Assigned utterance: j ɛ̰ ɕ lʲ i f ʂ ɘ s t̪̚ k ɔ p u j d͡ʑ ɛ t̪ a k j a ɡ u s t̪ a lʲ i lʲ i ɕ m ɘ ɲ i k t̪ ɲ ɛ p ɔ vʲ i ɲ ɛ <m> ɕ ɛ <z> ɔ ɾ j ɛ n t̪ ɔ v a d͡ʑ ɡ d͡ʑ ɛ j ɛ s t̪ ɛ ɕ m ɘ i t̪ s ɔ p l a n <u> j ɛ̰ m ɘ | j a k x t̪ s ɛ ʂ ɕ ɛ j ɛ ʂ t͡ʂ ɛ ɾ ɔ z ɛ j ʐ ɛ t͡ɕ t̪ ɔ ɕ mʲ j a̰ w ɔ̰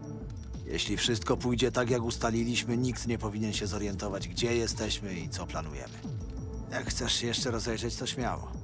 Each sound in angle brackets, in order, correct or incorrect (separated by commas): incorrect, correct, correct